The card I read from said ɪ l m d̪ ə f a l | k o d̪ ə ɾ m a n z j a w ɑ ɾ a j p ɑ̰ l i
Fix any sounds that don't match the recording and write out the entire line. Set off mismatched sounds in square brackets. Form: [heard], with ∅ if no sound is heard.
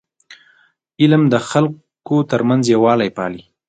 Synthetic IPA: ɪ l m d̪ ə [x] a l | k o [t̪] ə ɾ m a n z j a w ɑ [l] a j p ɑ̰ l i